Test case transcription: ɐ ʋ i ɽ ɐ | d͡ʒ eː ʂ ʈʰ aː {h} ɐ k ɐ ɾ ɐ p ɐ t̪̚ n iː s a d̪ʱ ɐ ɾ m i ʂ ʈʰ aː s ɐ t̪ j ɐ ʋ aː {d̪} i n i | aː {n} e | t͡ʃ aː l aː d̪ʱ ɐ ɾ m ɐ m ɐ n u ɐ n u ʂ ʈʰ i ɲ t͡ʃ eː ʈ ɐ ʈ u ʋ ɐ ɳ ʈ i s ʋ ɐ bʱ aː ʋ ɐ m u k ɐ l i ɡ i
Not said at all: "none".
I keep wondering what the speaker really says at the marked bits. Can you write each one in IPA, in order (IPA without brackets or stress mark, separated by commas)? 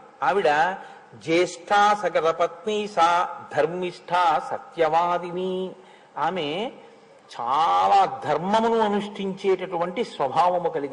s, d̪, m